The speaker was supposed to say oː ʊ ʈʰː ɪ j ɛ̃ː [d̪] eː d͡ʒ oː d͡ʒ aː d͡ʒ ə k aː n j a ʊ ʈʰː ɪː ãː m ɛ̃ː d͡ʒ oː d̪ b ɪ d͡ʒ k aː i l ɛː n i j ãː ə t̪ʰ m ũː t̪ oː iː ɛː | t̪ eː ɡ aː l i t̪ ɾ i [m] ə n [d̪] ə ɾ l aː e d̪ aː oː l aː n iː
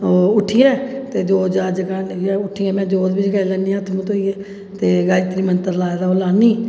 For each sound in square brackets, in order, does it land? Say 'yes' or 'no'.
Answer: no, yes, no

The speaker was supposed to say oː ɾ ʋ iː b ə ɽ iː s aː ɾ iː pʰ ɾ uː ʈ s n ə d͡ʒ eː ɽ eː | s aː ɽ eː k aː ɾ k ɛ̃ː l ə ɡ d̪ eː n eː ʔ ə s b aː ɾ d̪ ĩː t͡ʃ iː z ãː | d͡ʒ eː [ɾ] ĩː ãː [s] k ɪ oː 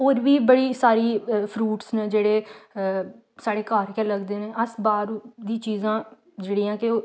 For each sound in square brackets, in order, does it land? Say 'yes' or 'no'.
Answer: no, no

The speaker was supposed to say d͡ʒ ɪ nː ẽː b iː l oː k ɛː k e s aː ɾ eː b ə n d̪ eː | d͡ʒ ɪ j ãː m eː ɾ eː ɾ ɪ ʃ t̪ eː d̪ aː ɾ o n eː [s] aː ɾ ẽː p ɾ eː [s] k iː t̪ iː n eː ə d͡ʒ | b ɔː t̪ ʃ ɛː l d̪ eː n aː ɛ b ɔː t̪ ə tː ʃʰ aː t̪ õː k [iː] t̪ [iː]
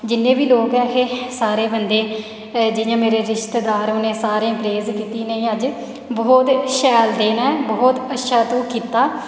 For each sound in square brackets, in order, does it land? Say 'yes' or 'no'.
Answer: yes, no, yes, no

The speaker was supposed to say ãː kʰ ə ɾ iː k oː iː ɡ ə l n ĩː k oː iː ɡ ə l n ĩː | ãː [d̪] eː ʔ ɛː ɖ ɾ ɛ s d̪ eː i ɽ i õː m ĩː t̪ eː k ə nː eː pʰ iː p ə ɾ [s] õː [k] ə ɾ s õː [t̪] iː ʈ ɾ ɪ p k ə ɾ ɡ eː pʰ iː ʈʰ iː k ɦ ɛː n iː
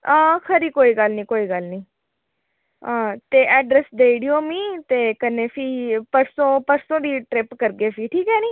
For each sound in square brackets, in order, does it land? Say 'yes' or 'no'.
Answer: no, yes, no, no

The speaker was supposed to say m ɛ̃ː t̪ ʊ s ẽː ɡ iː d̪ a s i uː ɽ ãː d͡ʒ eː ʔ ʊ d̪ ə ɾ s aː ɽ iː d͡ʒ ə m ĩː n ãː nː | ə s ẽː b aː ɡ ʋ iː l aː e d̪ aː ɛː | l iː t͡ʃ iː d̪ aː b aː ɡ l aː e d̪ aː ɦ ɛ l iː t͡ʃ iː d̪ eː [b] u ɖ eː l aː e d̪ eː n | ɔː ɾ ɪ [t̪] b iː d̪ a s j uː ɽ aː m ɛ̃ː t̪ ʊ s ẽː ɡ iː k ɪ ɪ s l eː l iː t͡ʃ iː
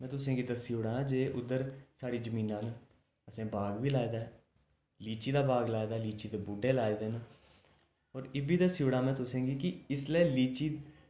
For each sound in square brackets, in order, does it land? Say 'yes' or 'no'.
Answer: yes, no

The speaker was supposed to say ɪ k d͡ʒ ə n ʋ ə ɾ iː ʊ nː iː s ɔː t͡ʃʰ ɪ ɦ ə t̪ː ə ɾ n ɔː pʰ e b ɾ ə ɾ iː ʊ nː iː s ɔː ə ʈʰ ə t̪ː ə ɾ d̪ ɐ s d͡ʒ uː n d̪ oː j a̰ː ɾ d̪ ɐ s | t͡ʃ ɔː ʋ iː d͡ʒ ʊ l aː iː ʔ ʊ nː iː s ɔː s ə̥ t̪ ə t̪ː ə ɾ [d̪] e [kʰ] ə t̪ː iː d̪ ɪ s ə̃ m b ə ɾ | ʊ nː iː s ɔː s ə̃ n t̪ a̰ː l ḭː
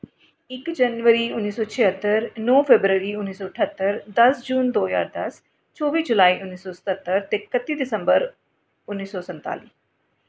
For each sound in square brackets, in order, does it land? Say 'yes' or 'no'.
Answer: no, no

